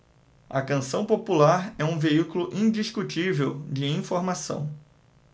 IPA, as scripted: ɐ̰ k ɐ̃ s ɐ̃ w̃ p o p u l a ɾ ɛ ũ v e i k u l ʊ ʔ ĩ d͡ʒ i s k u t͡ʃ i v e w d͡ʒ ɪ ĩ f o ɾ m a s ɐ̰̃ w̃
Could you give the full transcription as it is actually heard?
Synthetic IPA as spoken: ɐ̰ k ɐ̃ s ɐ̃ w̃ p o p u l a ɾ ɛ ũ v e i k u l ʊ ʔ ĩ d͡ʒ i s k u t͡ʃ i v e w d͡ʒ ɪ ĩ f o ɾ m a s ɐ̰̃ w̃